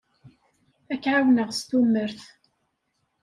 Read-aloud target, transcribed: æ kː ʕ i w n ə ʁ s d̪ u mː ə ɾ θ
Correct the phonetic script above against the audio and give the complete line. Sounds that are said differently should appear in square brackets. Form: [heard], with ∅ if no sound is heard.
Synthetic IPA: æ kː ʕ [a] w n ə ʁ s [t̪] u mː ə ɾ θ